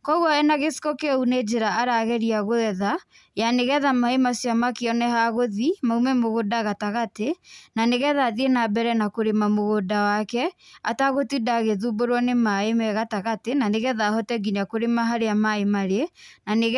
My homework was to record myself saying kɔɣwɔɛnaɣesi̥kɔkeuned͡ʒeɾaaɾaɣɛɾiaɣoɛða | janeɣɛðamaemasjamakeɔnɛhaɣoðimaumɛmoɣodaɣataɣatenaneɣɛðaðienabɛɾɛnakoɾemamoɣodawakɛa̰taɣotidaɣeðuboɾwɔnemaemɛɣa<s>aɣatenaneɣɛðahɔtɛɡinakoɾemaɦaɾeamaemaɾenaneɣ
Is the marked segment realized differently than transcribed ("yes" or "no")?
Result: yes